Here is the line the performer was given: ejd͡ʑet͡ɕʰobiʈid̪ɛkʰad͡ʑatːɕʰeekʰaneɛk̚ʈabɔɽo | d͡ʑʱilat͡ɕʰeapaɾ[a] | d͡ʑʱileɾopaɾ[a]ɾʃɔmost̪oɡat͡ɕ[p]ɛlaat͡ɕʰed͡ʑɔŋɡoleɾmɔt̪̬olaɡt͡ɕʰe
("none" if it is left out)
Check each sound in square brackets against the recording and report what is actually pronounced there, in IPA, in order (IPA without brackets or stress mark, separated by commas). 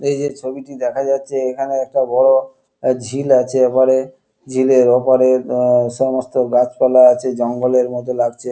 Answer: e, e, p